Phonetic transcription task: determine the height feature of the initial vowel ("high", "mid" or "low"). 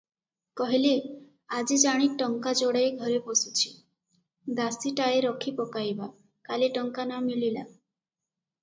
mid